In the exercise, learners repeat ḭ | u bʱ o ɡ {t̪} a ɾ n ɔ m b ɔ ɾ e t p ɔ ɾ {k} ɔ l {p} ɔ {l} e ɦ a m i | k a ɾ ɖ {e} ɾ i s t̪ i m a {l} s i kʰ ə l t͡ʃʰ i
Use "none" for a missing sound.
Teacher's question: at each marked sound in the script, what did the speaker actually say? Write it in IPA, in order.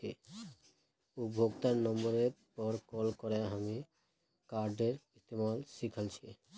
t̪, k, k, ɾ, e, l

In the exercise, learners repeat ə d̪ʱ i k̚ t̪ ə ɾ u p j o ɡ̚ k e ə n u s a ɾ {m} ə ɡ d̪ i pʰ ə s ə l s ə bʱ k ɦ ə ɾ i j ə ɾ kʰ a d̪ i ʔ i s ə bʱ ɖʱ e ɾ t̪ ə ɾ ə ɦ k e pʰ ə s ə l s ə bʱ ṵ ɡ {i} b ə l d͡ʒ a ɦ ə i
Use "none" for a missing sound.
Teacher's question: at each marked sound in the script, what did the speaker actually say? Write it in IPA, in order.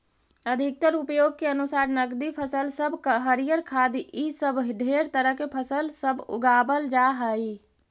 n, a

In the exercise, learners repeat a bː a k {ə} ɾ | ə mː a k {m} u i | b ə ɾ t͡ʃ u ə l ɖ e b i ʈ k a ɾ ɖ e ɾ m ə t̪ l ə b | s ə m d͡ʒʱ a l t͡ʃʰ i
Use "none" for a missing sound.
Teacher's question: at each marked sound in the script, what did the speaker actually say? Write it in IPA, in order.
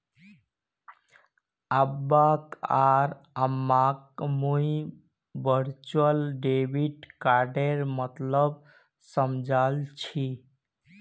a, m

